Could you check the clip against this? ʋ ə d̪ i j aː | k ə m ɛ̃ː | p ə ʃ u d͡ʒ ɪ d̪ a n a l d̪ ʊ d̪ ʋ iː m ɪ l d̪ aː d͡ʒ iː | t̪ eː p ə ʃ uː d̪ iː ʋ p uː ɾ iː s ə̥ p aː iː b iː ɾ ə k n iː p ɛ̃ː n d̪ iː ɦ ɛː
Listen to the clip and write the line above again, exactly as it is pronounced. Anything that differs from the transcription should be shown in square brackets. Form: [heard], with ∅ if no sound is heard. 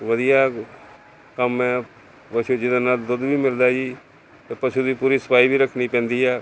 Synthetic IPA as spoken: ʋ ə d̪ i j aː | k ə m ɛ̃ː | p ə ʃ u d͡ʒ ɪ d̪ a n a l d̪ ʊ d̪ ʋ iː m ɪ l d̪ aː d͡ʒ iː | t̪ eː p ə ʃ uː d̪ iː [∅] p uː ɾ iː s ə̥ p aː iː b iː ɾ ə [kʰ] n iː p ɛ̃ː n d̪ iː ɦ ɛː